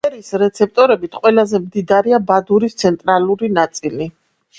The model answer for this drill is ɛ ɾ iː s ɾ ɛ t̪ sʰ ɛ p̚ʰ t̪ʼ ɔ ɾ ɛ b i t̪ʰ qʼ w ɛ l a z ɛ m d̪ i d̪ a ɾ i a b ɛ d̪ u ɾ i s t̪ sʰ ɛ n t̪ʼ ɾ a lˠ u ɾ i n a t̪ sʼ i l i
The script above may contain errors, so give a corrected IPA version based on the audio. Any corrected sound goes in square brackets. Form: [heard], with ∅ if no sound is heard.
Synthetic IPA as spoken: ɛ ɾ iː s ɾ ɛ t̪ sʰ ɛ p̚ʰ t̪ʼ ɔ ɾ ɛ b i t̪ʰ qʼ w ɛ l a z ɛ m d̪ i d̪ a ɾ i a b [a] d̪ u ɾ i s t̪ sʰ ɛ n t̪ʼ ɾ a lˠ u ɾ i n a t̪ sʼ i l i